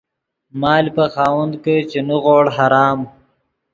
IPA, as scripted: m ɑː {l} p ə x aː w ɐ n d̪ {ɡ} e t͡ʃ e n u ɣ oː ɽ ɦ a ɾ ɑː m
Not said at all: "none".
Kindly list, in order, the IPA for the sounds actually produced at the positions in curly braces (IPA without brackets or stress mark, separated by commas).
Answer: l, k